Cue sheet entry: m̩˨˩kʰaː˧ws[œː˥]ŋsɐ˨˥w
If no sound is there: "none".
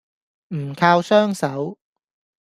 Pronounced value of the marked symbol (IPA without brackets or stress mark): œː˥